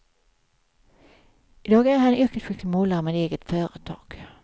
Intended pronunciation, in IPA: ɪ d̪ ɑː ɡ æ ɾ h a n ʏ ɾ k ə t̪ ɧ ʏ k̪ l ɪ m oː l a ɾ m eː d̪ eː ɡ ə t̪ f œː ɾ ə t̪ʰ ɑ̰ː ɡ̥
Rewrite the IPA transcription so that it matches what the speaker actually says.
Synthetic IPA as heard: ɪ d̪ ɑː ɡ æ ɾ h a n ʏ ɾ k ə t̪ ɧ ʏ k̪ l ɪ m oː l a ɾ m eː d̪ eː ɡ ə t̪ f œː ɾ ə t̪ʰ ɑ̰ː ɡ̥